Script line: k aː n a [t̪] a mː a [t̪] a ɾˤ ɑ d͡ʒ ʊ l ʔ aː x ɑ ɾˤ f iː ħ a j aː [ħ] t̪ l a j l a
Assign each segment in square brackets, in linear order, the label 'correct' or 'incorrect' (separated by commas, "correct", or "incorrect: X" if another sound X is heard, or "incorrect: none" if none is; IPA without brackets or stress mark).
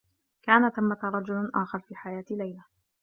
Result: correct, correct, incorrect: none